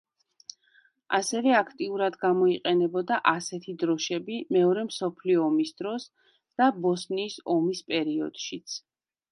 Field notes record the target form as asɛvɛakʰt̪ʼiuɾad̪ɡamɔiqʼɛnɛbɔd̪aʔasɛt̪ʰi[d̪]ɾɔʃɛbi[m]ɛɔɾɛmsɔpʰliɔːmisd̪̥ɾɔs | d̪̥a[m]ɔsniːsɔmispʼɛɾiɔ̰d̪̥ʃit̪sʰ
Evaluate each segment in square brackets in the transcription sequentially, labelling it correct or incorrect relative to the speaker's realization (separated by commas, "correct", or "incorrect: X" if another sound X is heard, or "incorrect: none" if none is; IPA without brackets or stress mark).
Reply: correct, correct, incorrect: b